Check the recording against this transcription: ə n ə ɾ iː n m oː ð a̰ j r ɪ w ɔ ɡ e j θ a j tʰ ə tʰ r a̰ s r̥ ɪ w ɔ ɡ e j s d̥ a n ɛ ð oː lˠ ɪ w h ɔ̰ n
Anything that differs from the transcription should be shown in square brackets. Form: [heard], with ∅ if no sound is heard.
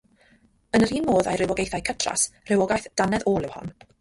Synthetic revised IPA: ə n ə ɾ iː n m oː ð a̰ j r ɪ w ɔ ɡ e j θ a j [kʰ] ə tʰ r a̰ s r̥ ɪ w ɔ ɡ [a] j [θ] d̥ a n ɛ ð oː lˠ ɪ w h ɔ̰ n